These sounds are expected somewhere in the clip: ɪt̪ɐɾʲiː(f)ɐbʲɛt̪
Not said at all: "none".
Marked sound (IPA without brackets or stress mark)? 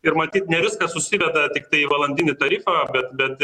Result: f